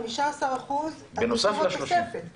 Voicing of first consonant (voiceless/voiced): voiced